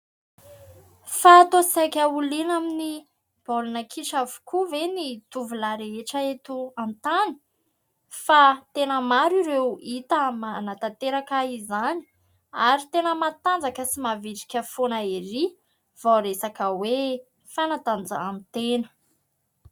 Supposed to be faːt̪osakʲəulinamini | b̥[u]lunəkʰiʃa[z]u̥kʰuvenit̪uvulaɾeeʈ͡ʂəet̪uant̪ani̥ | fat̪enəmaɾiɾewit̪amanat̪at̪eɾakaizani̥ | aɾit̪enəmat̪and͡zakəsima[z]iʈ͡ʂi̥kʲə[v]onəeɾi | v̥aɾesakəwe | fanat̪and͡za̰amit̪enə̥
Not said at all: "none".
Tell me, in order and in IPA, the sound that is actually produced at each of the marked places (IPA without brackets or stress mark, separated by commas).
o, v, v, f